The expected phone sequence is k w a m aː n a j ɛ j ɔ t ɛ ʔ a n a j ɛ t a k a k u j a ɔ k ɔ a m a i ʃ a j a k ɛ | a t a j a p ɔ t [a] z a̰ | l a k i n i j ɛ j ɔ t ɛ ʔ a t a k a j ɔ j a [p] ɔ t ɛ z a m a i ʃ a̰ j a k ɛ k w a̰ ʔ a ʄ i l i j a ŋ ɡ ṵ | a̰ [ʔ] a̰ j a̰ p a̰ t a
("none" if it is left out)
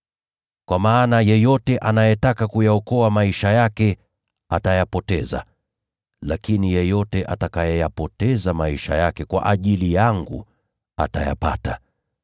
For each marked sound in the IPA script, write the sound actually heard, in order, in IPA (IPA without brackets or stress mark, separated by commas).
ɛ, p, t